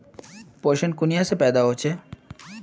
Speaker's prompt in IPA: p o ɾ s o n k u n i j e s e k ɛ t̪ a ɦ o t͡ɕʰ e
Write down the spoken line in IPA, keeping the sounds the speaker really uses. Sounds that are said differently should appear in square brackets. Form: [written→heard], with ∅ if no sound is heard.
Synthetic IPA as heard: p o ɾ [s→ʃ] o n k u n i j [e→a] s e [k→p] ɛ [t̪→d̪] a ɦ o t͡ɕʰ e